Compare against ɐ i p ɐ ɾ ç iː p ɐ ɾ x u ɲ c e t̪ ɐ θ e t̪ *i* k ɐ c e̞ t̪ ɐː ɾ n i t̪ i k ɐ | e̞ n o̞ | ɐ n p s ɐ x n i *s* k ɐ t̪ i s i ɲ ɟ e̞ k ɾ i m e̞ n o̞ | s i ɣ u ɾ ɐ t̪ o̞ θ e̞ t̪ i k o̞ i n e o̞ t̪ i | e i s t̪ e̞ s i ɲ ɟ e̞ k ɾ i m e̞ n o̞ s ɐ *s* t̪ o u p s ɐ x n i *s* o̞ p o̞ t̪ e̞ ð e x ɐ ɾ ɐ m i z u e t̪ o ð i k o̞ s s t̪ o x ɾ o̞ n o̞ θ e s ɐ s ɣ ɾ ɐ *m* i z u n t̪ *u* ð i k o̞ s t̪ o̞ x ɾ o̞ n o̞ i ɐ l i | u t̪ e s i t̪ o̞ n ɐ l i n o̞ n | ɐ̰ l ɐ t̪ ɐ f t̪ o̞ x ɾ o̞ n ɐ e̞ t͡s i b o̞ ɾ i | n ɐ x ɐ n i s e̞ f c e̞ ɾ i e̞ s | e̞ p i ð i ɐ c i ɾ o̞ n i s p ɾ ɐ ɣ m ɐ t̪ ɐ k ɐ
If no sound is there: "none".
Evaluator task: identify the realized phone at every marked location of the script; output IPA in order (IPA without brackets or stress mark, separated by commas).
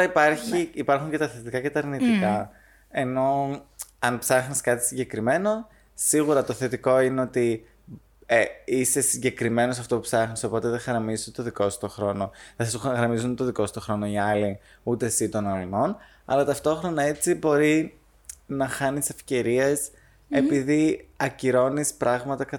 i, s, f, s, m, o